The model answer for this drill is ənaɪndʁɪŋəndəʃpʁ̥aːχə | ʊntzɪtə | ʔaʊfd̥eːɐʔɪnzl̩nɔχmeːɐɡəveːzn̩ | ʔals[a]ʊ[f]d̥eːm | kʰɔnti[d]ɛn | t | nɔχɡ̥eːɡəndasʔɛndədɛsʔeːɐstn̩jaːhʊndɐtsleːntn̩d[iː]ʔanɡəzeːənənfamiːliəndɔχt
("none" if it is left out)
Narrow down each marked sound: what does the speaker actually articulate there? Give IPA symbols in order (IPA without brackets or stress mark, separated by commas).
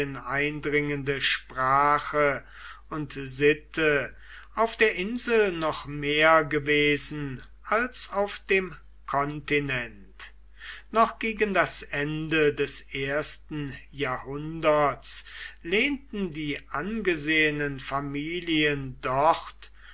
a, f, n, iː